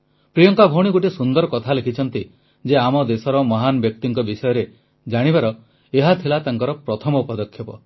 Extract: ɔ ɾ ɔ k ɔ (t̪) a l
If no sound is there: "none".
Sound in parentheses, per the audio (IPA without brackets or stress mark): t̪ʰ